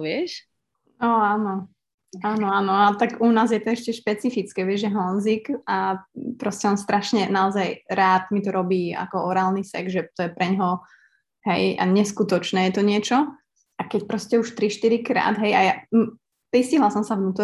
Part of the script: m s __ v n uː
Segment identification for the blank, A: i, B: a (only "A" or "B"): B